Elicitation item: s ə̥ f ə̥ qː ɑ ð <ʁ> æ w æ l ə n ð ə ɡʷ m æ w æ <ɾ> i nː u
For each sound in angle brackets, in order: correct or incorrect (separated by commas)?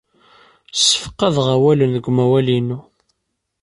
correct, incorrect